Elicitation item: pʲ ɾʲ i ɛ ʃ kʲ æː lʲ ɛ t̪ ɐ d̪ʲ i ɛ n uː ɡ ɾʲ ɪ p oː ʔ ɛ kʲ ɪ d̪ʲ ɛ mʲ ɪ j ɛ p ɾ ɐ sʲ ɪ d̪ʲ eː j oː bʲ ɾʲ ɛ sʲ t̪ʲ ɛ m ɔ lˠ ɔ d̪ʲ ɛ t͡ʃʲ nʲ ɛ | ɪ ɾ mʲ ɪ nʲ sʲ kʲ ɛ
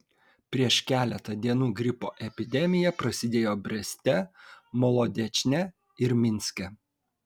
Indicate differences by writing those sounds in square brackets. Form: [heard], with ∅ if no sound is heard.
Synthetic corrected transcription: pʲ ɾʲ i ɛ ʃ kʲ æː lʲ ɛ t̪ ɐ d̪ʲ i ɛ n uː ɡ ɾʲ ɪ p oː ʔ ɛ [pʲ] ɪ d̪ʲ ɛ mʲ ɪ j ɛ p ɾ ɐ sʲ ɪ d̪ʲ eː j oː bʲ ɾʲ ɛ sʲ t̪ʲ ɛ m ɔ lˠ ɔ d̪ʲ ɛ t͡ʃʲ nʲ ɛ | ɪ ɾ mʲ ɪ nʲ sʲ kʲ ɛ